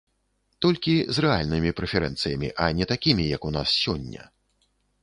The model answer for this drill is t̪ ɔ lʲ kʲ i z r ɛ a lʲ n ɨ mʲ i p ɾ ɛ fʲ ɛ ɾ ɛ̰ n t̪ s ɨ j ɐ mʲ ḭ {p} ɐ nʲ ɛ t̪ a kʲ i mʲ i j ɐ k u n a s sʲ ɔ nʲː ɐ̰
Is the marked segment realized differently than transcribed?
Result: yes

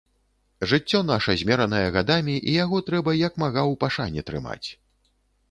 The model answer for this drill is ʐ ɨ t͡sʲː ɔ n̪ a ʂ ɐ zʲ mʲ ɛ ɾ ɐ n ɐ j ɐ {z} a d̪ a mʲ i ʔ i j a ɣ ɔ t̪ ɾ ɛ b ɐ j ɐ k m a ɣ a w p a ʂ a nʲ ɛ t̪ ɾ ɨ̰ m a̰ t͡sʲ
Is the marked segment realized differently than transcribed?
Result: yes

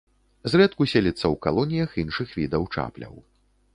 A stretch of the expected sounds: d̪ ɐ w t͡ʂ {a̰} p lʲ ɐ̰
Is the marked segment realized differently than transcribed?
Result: no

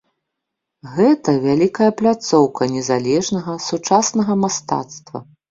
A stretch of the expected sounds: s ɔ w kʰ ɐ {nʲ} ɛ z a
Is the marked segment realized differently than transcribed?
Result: no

